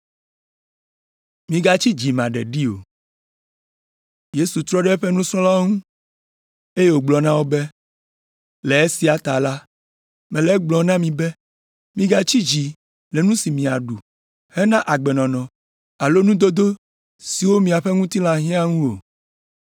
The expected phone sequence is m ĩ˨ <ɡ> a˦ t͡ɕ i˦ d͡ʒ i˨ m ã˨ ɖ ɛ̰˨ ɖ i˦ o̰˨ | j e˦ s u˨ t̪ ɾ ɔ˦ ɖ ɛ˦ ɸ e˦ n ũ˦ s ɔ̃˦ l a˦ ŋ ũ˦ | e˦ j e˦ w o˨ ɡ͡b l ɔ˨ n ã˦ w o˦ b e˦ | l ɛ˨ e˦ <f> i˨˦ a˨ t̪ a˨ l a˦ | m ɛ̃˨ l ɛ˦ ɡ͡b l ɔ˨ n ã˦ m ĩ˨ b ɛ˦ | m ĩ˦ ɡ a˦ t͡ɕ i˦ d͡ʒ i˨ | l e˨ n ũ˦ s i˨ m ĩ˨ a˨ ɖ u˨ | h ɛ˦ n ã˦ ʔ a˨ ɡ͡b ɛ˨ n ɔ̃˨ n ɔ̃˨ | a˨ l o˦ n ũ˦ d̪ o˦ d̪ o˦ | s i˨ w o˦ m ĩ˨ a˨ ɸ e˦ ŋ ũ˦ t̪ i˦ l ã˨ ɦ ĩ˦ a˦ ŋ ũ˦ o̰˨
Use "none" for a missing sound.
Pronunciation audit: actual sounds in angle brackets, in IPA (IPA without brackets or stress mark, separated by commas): ɡ, s